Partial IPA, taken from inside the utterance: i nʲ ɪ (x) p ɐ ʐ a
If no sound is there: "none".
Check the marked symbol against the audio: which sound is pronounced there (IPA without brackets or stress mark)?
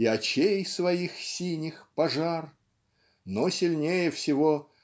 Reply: x